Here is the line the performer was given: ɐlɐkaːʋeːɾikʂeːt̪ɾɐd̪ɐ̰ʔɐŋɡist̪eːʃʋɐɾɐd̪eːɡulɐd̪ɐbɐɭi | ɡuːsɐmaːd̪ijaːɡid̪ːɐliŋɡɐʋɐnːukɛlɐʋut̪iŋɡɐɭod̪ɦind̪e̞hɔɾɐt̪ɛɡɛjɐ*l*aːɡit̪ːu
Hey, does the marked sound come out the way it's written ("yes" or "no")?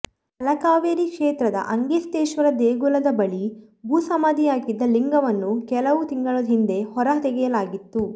yes